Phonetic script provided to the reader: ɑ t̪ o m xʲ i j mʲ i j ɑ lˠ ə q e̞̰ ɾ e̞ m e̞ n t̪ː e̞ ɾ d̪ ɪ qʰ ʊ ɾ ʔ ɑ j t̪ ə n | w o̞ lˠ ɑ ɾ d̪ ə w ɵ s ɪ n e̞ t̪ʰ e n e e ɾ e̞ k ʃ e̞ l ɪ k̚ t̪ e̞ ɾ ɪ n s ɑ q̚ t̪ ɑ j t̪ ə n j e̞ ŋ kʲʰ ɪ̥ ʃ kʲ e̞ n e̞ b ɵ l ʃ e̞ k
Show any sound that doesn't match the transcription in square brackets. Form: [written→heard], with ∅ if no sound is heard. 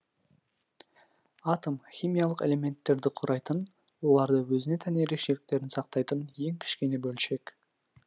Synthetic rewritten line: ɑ t̪ o m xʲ i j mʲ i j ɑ lˠ ə q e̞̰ [ɾ→l] e̞ m e̞ n t̪ː e̞ ɾ d̪ ɪ qʰ ʊ ɾ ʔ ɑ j t̪ ə n | w o̞ lˠ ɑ ɾ d̪ ə w ɵ [s→z] ɪ n e̞ t̪ʰ [e→æ] n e e ɾ e̞ k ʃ e̞ l ɪ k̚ t̪ e̞ ɾ ɪ n s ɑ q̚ t̪ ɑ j t̪ ə n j e̞ ŋ kʲʰ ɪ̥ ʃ kʲ e̞ n e̞ b ɵ l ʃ e̞ k